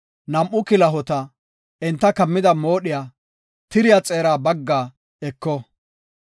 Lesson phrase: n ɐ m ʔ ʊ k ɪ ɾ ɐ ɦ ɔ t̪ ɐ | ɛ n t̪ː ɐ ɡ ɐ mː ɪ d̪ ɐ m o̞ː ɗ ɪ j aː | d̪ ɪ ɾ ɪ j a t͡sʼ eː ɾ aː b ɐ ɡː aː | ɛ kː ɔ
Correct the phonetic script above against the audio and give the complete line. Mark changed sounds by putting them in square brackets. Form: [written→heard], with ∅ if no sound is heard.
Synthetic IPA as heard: n ɐ m ʔ ʊ k ɪ [ɾ→l] ɐ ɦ ɔ t̪ ɐ | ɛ n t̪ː ɐ [ɡ→k] ɐ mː ɪ d̪ ɐ m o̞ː ɗ ɪ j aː | [d̪→t̪] ɪ ɾ ɪ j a t͡sʼ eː ɾ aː b ɐ ɡː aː | ɛ kː ɔ